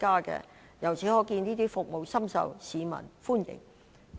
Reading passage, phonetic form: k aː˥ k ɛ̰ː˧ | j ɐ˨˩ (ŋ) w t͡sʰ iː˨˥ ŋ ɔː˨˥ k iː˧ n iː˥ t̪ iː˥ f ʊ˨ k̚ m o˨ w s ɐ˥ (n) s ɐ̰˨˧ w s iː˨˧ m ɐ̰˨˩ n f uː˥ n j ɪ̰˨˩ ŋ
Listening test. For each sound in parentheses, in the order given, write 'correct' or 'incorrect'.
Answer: incorrect: none, incorrect: m

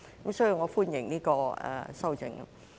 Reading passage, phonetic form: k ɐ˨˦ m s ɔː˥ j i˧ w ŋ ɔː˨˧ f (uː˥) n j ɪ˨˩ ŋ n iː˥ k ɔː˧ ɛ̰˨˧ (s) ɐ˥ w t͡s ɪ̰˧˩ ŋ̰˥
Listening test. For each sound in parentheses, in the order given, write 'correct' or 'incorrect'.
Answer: correct, correct

